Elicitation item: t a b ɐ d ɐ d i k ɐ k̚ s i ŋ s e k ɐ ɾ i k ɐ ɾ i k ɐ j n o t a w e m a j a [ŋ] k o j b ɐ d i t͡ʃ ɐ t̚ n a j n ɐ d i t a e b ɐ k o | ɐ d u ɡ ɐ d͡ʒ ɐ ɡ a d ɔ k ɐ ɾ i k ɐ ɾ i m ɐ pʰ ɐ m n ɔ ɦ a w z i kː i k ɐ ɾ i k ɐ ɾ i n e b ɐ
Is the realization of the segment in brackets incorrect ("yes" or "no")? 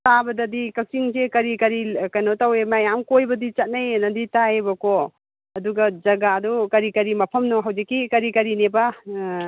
yes